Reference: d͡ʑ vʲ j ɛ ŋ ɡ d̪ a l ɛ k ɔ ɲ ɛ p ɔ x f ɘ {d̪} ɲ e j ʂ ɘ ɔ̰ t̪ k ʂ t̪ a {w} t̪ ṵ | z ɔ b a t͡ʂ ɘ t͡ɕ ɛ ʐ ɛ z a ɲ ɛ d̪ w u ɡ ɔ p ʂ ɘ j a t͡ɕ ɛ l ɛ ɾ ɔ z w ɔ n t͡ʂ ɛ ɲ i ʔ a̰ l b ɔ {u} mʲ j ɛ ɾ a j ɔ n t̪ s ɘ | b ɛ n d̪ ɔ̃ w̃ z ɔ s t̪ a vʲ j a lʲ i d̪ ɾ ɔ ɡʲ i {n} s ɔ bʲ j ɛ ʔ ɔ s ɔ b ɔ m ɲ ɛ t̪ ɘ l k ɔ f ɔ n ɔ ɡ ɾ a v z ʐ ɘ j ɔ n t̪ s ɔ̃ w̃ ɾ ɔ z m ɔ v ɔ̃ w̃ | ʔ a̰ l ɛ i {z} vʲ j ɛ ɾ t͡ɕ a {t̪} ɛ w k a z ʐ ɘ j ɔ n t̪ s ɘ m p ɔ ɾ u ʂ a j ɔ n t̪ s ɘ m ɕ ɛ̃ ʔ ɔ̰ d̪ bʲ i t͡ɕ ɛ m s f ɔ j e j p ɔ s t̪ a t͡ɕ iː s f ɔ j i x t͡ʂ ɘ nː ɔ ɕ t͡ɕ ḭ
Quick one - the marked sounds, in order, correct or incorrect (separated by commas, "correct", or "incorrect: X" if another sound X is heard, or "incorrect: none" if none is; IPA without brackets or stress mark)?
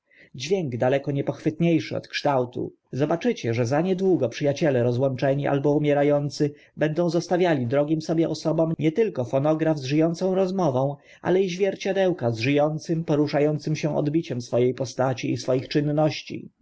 incorrect: t̪, correct, correct, incorrect: m, incorrect: ʑ, incorrect: d̪